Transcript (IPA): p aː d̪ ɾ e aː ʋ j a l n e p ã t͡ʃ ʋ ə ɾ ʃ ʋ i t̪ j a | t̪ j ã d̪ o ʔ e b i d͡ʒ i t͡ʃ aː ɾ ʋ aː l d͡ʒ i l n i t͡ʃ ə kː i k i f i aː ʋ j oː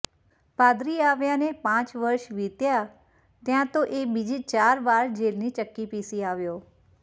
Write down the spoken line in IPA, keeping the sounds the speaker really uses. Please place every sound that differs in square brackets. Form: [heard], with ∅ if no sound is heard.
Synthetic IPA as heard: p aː d̪ ɾ [i] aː ʋ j a [∅] n e p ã t͡ʃ ʋ ə ɾ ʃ ʋ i t̪ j a | t̪ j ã [t̪] o ʔ e b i d͡ʒ i t͡ʃ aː ɾ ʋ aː [ɾ] d͡ʒ [e] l n i t͡ʃ ə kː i [p] i [s] i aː ʋ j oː